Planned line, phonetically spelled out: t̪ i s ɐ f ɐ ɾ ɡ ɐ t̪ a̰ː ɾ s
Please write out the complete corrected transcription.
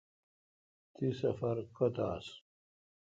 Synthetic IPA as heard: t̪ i s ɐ f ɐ ɾ k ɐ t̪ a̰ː s